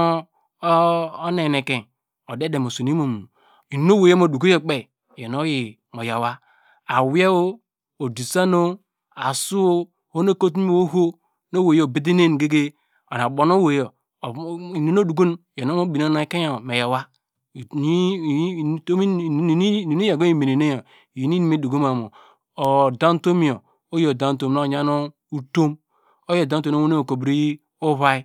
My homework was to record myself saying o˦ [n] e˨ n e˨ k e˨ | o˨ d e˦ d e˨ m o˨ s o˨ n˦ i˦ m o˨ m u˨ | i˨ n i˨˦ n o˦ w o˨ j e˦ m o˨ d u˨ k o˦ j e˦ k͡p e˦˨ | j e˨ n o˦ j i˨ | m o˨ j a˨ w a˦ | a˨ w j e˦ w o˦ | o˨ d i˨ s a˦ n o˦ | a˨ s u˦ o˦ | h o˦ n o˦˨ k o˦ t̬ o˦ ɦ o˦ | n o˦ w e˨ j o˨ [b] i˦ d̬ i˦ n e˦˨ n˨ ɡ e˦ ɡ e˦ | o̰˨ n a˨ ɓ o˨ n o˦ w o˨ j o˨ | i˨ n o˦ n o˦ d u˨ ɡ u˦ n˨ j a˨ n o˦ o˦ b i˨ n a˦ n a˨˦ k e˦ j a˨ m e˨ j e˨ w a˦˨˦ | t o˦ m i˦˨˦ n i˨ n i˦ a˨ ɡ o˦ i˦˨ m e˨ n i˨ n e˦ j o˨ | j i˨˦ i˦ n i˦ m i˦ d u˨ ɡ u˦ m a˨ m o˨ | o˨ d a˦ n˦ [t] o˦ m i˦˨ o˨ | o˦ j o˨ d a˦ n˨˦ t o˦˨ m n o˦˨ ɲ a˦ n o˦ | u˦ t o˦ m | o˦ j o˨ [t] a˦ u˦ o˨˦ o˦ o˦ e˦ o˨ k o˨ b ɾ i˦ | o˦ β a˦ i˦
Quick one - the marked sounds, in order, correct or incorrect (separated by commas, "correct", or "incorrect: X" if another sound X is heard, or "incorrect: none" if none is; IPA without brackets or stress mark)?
correct, correct, correct, incorrect: d